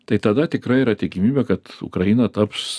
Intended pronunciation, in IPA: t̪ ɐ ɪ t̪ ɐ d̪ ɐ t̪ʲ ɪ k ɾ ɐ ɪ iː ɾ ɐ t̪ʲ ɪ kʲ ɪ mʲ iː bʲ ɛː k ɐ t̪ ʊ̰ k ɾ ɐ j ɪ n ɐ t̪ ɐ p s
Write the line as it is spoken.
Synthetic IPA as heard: t̪ ɐ ɪ t̪ ɐ d̪ ɐ t̪ʲ ɪ k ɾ ɐ ɪ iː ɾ ɐ t̪ʲ ɪ kʲ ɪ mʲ iː bʲ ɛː k ɐ t̪ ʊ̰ k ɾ ɐ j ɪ n ɐ t̪ ɐ p s